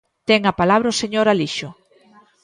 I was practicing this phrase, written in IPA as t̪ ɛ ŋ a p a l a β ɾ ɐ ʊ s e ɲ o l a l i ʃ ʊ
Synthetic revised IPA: t̪ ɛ ŋ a p a l a β ɾ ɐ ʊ s e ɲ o ɾ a l i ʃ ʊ